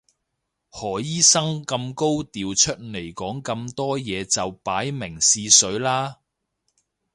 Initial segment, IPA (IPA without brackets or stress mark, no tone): h